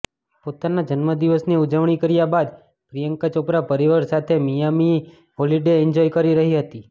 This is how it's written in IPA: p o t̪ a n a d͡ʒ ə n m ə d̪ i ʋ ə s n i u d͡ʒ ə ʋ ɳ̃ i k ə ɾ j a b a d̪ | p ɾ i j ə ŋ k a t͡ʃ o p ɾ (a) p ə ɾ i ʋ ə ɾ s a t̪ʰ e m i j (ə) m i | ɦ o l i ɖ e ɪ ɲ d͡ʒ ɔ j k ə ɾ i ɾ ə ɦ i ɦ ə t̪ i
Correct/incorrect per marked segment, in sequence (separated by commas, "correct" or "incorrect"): correct, incorrect